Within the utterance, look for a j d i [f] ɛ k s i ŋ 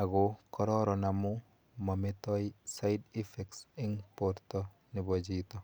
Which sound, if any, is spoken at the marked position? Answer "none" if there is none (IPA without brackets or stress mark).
f